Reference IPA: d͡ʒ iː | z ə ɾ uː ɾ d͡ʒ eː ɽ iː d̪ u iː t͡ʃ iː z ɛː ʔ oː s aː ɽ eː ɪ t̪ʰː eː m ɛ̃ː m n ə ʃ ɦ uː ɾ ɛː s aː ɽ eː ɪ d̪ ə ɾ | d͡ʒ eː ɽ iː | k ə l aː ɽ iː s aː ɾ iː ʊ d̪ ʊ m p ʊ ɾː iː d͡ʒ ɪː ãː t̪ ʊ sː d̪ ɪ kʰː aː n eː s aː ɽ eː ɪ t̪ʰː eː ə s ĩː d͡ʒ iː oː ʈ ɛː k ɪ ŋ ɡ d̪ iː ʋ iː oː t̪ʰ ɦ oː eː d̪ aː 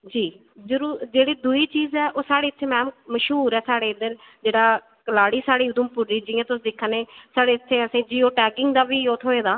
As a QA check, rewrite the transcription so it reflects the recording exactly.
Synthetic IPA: d͡ʒ iː | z ə ɾ uː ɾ d͡ʒ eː ɽ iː d̪ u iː t͡ʃ iː z ɛː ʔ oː s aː ɽ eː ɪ t̪ʰː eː m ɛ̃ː m m ə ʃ ɦ uː ɾ ɛː s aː ɽ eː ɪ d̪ ə ɾ | d͡ʒ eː ɽ aː | k ə l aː ɽ iː s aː ɽ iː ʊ d̪ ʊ m p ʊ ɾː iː d͡ʒ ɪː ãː t̪ ʊ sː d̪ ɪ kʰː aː n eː s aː ɽ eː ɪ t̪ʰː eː ə s ĩː d͡ʒ iː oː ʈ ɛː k ɪ ŋ ɡ d̪ aː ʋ iː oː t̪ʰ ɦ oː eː d̪ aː